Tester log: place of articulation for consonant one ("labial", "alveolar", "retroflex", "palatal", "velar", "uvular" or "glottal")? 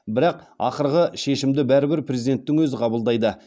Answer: labial